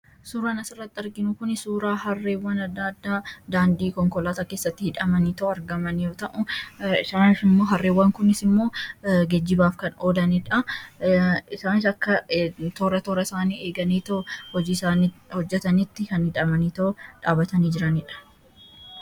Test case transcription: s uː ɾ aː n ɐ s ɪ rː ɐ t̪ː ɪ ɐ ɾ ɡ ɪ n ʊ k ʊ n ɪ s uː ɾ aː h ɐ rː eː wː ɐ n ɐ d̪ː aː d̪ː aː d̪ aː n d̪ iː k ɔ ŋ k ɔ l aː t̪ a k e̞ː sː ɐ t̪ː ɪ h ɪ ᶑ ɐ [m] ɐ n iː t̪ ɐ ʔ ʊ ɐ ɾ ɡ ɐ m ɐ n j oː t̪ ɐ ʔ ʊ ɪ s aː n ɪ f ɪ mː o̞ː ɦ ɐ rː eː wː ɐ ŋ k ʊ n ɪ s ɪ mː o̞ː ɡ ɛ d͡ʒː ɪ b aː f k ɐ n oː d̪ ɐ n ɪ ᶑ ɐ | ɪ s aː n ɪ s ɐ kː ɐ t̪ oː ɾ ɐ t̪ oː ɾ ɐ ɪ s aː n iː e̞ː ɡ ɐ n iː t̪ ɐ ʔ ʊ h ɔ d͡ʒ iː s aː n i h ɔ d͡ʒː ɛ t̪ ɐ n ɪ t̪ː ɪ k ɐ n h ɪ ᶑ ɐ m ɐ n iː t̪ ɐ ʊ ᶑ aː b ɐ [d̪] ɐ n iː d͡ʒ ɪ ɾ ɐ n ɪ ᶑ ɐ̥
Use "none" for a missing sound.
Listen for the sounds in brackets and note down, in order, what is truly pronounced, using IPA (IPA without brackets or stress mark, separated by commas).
m, t̪